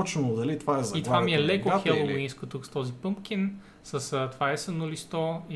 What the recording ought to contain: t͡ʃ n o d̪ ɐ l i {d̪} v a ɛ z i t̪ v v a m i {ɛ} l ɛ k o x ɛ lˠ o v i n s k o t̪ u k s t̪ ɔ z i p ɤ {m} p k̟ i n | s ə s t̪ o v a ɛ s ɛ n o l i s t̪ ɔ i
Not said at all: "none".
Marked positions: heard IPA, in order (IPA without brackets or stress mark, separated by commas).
t̪, ɛ, m